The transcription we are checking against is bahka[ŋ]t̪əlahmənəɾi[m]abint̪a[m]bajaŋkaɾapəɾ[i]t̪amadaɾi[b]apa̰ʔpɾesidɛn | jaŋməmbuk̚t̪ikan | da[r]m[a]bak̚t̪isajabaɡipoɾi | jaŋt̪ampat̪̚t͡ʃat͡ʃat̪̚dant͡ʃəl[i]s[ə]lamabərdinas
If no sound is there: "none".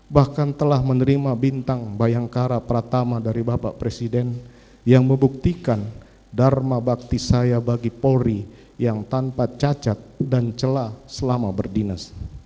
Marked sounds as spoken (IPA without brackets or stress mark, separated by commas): n, m, ŋ, a, b, r, a, a, ə